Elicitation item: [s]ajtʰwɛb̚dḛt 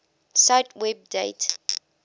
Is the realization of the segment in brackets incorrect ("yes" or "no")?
no